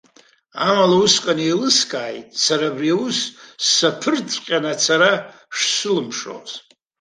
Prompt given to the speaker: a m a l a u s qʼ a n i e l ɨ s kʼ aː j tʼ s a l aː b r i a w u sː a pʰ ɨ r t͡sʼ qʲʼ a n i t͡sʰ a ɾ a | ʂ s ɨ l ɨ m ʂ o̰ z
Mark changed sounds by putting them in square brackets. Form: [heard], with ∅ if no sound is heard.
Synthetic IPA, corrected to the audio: a m a l a u s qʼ a n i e l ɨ s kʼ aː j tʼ s a [ɾ] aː b r i a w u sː a pʰ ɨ r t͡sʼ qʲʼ a n [a] t͡sʰ a ɾ a | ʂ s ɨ l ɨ m ʂ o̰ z